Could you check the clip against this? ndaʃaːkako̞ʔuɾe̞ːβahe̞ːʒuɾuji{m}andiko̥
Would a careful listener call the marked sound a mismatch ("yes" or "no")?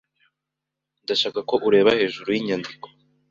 yes